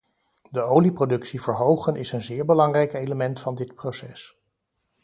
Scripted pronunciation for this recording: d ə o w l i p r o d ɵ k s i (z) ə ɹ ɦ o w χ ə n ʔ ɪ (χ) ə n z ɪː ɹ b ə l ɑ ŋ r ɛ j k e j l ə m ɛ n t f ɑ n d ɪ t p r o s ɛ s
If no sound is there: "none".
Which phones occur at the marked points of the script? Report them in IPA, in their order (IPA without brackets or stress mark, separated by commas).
v, s